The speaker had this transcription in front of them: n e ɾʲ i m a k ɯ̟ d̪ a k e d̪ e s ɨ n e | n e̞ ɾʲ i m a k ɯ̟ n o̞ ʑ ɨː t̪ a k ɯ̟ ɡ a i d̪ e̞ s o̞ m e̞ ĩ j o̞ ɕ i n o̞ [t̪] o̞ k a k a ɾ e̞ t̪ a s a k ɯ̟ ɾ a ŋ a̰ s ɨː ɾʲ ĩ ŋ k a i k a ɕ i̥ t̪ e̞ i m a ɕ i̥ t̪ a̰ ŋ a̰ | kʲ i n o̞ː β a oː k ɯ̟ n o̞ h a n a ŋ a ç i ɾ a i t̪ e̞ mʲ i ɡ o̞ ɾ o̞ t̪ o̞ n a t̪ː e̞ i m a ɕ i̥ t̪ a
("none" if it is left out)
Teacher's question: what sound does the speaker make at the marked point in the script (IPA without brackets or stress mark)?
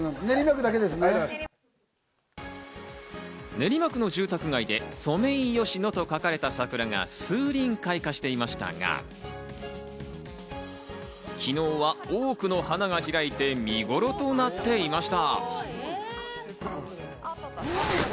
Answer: t̪